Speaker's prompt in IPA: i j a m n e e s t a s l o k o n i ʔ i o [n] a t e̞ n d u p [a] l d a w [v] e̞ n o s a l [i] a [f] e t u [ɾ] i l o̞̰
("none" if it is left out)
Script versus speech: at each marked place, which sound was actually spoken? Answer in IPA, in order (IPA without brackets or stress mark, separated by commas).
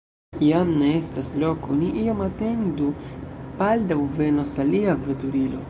m, a, v, i, v, ɾ